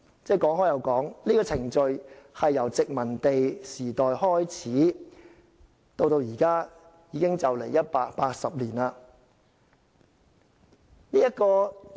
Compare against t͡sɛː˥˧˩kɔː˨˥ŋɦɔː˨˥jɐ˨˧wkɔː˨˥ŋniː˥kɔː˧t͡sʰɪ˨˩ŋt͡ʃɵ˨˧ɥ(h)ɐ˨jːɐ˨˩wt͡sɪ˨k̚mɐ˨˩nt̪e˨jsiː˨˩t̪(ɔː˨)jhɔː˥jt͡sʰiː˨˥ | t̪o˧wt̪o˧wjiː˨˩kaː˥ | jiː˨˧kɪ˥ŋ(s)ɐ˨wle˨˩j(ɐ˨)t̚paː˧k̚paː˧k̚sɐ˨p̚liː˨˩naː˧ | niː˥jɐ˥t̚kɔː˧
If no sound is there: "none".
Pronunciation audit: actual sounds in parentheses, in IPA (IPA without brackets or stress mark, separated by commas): h, ɔː˨, t͡s, ɐ˥